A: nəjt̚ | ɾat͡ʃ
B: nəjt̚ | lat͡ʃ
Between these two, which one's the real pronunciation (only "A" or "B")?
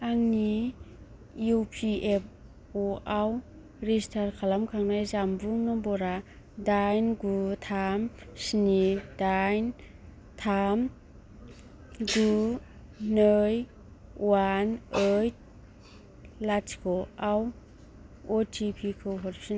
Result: B